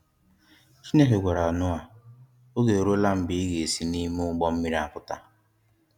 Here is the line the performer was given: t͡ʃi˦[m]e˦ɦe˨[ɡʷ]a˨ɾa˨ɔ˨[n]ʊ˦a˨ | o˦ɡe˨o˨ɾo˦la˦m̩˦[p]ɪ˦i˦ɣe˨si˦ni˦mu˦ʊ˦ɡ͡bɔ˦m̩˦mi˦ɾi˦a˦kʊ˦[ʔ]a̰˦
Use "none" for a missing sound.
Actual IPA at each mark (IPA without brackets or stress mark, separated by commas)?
n, ɡʷ, n, b, t